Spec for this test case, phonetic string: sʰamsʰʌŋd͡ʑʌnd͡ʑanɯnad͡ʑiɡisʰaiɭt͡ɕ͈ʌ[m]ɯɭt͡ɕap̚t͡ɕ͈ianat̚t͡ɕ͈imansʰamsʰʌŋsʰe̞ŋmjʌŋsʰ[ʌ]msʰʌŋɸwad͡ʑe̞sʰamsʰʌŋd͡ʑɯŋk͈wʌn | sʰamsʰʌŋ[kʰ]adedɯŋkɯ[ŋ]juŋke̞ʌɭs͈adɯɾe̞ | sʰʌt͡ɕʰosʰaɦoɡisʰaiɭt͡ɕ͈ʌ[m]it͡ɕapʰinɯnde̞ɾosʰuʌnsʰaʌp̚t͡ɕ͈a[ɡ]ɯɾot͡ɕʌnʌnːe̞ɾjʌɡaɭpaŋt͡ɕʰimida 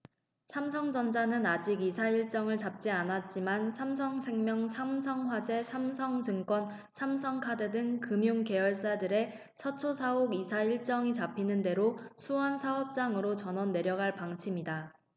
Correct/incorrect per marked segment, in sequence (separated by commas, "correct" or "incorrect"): incorrect, incorrect, correct, incorrect, incorrect, incorrect